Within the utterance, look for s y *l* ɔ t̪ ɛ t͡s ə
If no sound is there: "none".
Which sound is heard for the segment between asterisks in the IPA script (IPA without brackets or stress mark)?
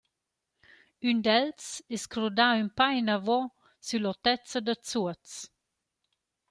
l